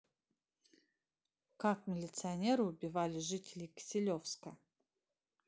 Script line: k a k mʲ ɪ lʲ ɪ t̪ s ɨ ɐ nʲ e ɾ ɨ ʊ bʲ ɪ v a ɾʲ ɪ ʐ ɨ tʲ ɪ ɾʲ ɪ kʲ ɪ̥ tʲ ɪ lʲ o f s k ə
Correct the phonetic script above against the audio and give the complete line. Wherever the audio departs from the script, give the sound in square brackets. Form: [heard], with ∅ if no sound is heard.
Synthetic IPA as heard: k a k mʲ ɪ lʲ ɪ t̪ s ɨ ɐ nʲ e ɾ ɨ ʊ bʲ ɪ v a [lʲ] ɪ ʐ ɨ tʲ ɪ [lʲ] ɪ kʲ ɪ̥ [sʲ] ɪ lʲ o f s k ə